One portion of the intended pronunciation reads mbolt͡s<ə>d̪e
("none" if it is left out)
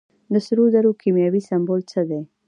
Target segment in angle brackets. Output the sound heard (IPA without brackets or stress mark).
ə